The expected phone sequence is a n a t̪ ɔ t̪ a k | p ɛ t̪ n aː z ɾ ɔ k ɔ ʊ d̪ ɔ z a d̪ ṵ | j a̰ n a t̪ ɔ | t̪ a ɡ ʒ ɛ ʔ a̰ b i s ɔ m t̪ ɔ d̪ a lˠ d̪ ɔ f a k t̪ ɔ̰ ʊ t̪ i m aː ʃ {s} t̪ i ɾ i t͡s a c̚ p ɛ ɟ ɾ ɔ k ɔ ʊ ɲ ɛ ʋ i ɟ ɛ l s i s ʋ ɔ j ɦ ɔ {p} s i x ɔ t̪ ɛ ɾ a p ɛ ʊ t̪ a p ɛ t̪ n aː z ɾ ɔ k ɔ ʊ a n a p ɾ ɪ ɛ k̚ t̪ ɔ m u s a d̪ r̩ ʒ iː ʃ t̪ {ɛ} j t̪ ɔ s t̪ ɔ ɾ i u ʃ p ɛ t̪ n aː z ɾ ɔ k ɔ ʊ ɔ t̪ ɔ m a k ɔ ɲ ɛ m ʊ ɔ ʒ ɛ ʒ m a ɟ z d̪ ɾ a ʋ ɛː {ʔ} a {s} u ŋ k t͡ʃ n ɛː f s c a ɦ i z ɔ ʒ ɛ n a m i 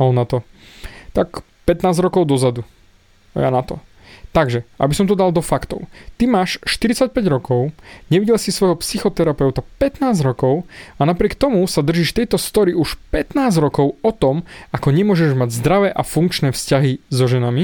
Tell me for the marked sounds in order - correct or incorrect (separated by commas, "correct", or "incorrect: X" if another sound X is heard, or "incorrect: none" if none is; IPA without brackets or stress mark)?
incorrect: ʃ, correct, correct, correct, incorrect: f